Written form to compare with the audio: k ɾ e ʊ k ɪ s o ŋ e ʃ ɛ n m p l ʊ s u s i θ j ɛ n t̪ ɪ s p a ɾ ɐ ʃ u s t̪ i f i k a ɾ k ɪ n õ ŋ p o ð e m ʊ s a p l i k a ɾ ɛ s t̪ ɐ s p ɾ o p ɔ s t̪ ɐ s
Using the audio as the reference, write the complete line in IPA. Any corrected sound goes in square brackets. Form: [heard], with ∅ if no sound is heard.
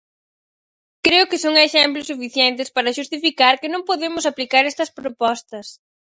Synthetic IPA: k ɾ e ʊ k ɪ s o ŋ e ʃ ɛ [∅] m p l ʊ s u [f] i θ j ɛ n t̪ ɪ s p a ɾ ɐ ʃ u s t̪ i f i k a ɾ k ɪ n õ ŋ p o ð e m ʊ s a p l i k a ɾ ɛ s t̪ ɐ s p ɾ o p ɔ s t̪ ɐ s